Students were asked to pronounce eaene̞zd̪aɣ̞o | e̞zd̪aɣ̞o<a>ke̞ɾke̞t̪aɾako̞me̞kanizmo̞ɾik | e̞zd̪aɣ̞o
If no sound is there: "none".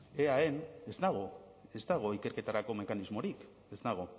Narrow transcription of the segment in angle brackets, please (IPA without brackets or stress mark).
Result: i